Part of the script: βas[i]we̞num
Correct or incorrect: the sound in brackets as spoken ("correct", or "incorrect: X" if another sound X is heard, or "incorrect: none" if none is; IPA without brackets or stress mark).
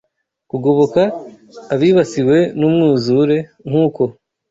correct